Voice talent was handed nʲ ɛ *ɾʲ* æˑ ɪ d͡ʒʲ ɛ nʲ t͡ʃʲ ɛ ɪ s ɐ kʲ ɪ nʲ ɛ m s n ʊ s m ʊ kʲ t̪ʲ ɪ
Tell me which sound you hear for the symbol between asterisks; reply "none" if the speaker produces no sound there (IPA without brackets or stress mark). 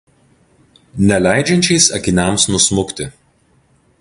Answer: lʲ